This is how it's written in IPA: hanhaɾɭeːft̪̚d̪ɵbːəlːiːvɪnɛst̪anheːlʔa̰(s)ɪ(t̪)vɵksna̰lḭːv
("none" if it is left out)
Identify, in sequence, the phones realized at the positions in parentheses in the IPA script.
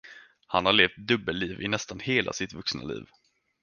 s, t̪

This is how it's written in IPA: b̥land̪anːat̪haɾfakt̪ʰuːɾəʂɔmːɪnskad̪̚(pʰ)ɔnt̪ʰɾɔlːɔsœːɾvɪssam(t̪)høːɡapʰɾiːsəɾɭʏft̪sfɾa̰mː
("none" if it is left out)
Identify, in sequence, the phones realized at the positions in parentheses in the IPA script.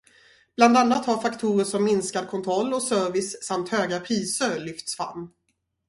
kʰ, t̪

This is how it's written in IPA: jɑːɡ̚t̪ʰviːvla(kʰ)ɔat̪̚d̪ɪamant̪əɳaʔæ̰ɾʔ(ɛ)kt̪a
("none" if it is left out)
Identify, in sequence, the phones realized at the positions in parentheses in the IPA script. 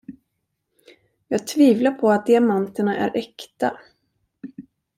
pʰ, ɛ

